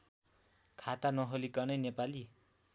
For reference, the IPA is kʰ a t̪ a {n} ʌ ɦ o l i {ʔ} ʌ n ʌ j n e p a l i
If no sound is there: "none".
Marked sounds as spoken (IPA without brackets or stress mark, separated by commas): n, k